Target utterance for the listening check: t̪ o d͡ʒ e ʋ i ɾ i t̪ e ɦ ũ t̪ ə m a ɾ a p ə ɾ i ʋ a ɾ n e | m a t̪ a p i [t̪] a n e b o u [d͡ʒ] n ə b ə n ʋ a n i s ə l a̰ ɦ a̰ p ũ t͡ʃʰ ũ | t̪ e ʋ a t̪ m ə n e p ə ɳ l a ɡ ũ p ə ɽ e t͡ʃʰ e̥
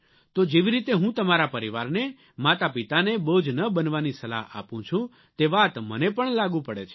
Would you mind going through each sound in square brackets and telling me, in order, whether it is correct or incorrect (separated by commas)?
correct, correct